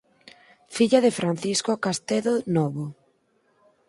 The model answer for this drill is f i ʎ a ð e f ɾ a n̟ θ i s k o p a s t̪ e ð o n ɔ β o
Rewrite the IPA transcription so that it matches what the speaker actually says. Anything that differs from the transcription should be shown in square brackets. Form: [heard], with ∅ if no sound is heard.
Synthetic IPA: f i ʎ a ð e f ɾ a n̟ θ i s k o [k] a s t̪ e ð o n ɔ β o